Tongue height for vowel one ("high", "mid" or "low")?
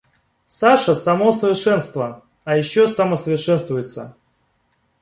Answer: low